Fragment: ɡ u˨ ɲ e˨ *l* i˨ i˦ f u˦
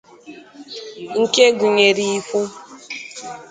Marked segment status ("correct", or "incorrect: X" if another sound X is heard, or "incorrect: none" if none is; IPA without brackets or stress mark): incorrect: ɾ